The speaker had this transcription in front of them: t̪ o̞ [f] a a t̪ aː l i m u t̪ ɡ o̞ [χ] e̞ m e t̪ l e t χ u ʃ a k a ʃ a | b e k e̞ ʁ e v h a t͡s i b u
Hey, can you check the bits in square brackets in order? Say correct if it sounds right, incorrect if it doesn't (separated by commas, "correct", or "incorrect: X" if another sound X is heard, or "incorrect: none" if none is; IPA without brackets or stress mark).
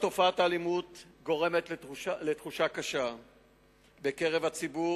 correct, incorrect: ʁ